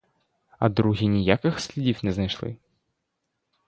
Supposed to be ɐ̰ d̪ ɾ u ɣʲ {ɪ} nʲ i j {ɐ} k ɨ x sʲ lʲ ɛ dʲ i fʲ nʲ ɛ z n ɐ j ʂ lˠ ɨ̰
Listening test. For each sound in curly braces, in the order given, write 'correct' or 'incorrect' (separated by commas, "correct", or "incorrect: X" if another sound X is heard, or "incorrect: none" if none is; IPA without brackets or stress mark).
incorrect: i, incorrect: a